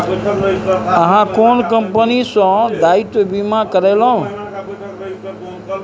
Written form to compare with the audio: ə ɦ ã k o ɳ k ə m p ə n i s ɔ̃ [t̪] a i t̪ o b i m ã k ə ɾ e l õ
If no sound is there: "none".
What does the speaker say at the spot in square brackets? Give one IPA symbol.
d̪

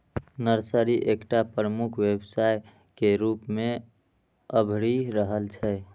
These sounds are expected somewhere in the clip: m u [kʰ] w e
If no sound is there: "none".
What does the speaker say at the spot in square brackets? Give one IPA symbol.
kʰ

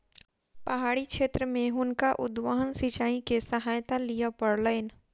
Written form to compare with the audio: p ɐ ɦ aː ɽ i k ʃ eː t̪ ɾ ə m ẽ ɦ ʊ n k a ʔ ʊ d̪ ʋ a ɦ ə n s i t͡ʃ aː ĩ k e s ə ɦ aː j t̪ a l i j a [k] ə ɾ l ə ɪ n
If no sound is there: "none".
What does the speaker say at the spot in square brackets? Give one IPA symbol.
p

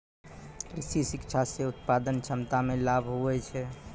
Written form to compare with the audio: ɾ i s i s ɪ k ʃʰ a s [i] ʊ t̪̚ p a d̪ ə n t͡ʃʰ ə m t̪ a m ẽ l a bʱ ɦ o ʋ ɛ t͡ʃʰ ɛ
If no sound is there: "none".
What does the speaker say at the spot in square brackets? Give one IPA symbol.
e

